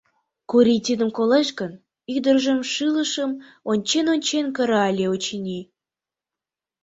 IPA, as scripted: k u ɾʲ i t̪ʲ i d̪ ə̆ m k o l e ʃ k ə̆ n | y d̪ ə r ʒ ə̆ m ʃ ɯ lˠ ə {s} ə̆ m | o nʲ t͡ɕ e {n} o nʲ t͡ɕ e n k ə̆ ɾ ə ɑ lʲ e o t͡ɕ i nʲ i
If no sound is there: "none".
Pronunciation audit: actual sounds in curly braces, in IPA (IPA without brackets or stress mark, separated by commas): ʃ, n